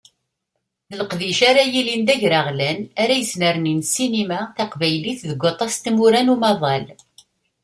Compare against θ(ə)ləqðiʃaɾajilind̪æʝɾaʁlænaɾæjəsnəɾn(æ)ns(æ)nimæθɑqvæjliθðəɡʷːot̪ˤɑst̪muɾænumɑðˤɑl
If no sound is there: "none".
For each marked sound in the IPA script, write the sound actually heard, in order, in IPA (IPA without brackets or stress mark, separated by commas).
ə, i, i